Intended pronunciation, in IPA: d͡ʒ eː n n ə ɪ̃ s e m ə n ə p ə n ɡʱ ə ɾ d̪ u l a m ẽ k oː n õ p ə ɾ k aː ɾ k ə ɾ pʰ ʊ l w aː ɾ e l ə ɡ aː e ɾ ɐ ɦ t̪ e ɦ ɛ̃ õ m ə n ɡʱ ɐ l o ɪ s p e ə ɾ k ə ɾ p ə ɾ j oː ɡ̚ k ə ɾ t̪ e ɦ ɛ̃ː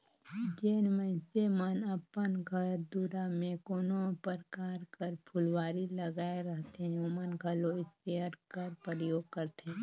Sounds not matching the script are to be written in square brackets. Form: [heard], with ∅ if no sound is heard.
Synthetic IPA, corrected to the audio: d͡ʒ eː n [m] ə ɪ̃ s e m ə n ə p ə n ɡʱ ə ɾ d̪ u [ɾ] a m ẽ k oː n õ p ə ɾ k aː ɾ k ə ɾ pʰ ʊ l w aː ɾ [i] l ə ɡ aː e ɾ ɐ ɦ t̪ e ɦ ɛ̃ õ m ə n ɡʱ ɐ l o ɪ s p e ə ɾ k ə ɾ p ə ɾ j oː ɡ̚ k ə ɾ t̪ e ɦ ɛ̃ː